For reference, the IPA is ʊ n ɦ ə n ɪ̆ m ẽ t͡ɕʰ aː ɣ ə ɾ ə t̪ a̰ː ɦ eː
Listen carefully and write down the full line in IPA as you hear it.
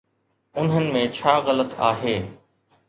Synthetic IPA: ʊ n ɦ ə n ɪ̆ m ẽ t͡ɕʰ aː ɣ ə l ə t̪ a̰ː ɦ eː